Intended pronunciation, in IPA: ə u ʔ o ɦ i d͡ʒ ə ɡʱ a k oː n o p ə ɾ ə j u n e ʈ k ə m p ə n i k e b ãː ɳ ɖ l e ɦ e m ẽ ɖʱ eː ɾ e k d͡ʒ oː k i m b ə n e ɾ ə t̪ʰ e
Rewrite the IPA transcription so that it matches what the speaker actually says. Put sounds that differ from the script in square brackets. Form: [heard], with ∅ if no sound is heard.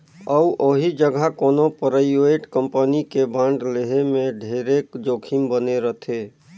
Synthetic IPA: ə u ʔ o ɦ i d͡ʒ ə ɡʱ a k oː n o p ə ɾ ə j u [∅] e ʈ k ə m p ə n i k e b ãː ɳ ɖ l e ɦ e m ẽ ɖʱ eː ɾ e k d͡ʒ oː [kʰ] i m b ə n e ɾ ə t̪ʰ e